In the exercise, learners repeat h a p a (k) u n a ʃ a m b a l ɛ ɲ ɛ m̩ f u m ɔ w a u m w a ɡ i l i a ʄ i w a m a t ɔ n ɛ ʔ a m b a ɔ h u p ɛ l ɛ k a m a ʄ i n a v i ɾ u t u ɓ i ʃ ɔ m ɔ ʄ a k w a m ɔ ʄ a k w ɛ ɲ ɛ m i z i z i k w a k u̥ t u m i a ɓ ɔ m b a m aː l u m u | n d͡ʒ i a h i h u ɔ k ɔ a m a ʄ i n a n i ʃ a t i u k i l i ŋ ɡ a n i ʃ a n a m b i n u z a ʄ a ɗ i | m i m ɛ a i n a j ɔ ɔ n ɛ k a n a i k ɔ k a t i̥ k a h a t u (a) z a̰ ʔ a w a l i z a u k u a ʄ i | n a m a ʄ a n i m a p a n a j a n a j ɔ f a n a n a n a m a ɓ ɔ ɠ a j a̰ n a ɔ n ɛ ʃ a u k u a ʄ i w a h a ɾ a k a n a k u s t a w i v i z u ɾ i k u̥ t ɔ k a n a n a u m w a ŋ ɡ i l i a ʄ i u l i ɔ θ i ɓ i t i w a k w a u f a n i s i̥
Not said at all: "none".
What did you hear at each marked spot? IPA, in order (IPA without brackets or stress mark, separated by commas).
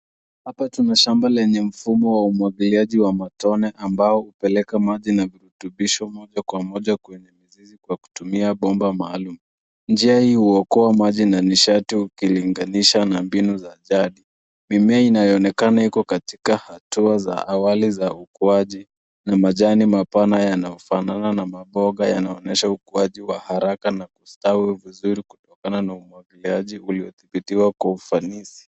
t, a